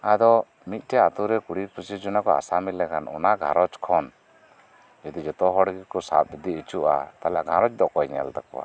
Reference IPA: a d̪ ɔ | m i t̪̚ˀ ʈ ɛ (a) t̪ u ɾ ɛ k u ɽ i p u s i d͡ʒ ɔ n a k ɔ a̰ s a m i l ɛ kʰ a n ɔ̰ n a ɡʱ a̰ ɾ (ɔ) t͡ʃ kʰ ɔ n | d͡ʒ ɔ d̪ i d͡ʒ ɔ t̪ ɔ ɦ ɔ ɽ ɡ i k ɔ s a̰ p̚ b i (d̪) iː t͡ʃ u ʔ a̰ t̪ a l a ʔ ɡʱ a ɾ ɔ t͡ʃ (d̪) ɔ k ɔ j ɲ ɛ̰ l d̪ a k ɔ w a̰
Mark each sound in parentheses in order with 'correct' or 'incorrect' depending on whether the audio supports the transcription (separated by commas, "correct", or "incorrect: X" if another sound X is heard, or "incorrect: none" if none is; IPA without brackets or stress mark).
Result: correct, correct, correct, correct